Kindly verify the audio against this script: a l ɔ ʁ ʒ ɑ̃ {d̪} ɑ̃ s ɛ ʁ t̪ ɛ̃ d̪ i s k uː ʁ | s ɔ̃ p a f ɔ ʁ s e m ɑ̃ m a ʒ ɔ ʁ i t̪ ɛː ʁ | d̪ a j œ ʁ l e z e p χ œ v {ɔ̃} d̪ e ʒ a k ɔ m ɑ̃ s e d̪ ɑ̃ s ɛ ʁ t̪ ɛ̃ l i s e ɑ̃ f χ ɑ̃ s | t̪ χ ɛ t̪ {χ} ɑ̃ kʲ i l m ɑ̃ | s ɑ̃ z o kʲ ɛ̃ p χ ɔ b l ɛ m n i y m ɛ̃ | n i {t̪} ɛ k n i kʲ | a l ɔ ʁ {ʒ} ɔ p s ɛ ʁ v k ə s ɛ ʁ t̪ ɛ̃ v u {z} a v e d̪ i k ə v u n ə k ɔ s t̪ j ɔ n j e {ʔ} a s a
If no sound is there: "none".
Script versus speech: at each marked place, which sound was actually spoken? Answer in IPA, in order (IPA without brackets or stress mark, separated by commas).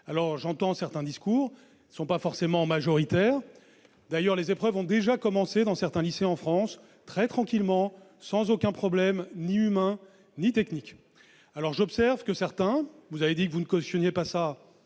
t̪, ɔ̃, χ, t̪, ʒ, z, p